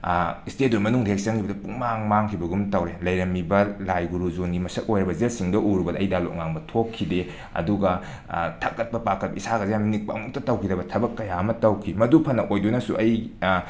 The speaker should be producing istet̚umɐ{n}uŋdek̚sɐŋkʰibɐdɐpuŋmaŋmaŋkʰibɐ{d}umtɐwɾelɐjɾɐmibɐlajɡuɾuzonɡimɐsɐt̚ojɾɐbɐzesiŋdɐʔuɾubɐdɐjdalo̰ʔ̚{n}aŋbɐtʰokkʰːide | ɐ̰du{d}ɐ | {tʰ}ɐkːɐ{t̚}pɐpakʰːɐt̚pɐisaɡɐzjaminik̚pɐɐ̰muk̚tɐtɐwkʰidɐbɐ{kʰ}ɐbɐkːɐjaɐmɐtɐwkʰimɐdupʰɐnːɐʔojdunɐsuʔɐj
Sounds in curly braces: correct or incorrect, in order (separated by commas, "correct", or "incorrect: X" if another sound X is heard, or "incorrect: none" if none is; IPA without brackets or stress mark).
correct, incorrect: ɡ, incorrect: ŋ, incorrect: ɡ, correct, correct, incorrect: tʰ